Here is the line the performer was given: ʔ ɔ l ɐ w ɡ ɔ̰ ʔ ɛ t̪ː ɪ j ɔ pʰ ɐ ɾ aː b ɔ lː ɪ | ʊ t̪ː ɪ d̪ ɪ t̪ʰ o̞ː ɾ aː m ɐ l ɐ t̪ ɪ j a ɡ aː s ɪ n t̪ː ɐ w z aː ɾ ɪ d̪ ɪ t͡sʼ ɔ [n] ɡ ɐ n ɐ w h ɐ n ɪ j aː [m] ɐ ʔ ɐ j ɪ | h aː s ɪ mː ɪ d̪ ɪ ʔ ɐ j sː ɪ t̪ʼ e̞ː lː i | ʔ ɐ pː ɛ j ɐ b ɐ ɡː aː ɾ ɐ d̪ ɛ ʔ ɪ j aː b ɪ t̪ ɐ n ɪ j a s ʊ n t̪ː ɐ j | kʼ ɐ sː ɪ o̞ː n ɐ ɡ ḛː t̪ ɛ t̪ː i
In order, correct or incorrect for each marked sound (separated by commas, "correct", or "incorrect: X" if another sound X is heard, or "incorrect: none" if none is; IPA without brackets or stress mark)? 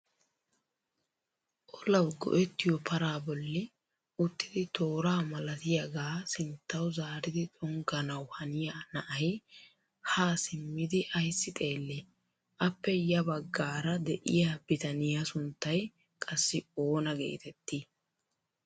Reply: incorrect: ŋ, incorrect: n